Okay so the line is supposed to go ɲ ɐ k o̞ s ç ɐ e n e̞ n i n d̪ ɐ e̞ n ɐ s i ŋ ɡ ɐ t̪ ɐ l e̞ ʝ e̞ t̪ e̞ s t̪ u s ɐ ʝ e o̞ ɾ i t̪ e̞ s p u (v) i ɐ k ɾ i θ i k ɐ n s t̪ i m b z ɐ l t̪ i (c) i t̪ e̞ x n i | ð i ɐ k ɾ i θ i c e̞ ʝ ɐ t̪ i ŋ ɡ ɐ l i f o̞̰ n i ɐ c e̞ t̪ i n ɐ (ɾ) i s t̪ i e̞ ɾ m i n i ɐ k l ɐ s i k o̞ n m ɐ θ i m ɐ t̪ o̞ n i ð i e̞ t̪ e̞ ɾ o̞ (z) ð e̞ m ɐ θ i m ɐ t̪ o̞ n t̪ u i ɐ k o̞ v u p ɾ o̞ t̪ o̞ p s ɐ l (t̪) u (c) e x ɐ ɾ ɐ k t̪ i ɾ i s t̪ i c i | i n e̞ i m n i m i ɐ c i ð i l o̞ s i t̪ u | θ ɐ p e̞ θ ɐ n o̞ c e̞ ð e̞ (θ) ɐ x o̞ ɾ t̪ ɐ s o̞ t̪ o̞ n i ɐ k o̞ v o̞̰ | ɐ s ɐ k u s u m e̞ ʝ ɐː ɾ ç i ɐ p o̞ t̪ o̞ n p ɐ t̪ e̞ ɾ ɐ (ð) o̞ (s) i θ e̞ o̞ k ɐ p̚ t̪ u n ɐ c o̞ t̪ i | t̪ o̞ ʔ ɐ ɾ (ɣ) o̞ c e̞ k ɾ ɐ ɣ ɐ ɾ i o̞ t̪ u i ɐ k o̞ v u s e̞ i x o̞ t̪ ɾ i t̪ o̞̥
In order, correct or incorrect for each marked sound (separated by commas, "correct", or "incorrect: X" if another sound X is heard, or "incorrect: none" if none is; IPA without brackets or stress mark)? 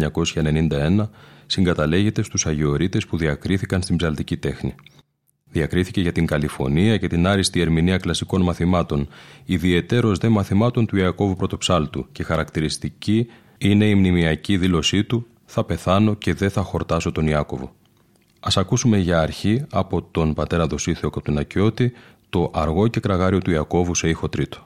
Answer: incorrect: ð, correct, correct, correct, correct, correct, correct, correct, correct, correct